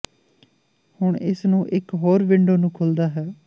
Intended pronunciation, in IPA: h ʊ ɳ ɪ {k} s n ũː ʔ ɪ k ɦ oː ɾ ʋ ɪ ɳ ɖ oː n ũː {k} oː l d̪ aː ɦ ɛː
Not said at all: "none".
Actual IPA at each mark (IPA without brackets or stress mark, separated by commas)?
none, kʰ